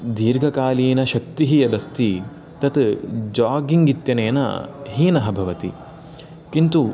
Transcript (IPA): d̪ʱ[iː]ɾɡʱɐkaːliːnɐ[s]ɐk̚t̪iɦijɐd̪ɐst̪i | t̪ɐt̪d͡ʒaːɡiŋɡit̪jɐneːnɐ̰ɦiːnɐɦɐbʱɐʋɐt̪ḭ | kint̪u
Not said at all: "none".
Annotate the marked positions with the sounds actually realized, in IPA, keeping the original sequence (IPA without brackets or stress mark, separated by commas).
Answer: iː, ʃ